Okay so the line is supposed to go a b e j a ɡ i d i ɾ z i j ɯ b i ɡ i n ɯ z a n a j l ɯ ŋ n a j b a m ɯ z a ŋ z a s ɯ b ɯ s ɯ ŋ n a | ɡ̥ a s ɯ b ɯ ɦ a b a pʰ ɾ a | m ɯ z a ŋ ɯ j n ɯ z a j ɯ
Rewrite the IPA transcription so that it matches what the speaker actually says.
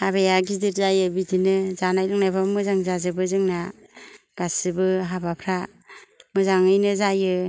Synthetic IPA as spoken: a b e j a ɡ i d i ɾ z a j ɯ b i d i n ɯ z a n a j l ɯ ŋ n a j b a m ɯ z a ŋ z a z ɯ b ɯ z ɯ ŋ n a | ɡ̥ a s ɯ b ɯ ɦ a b a pʰ ɾ a | m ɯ z a ŋ ɯ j n ɯ z a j ɯ